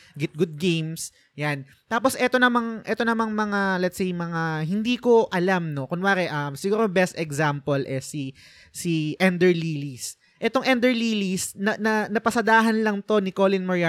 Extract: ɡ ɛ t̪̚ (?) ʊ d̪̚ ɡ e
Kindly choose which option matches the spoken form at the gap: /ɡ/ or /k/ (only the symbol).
ɡ